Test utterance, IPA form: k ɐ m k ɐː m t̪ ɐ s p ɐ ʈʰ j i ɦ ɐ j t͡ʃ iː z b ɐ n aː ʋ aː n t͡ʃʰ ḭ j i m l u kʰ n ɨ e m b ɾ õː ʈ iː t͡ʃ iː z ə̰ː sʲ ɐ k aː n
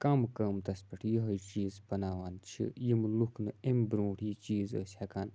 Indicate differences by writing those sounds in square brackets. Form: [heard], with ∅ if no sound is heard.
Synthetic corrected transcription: k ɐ m k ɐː m t̪ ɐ s p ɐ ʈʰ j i ɦ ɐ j t͡ʃ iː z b ɐ n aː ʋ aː n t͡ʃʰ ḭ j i m l u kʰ n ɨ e m b ɾ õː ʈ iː t͡ʃ iː z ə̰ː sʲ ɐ k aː n